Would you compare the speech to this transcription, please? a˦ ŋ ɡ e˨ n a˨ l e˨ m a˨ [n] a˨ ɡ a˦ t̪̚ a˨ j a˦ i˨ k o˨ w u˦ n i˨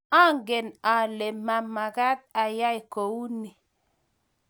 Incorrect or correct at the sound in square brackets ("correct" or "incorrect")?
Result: incorrect